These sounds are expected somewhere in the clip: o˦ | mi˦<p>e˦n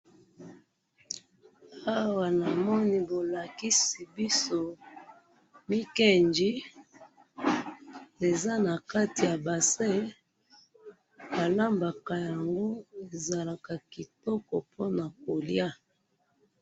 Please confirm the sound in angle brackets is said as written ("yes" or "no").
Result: no